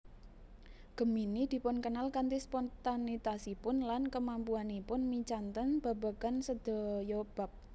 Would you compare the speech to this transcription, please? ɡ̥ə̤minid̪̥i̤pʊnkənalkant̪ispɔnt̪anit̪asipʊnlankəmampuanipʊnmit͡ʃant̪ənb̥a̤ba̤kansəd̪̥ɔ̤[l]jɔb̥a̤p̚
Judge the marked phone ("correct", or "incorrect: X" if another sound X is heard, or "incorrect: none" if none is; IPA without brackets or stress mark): incorrect: none